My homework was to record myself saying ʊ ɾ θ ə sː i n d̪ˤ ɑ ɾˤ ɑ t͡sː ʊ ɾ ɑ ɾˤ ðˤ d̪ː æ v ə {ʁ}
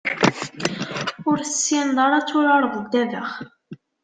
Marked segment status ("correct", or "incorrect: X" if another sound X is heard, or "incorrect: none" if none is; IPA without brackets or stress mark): incorrect: χ